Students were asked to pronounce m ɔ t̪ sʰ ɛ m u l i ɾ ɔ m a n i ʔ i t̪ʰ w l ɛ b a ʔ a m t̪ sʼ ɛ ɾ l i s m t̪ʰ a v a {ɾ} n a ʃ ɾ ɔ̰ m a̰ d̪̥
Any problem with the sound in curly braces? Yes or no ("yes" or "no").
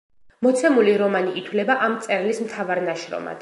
no